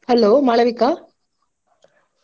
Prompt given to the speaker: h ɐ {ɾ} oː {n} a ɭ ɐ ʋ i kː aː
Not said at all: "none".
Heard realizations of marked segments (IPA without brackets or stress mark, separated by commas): l, m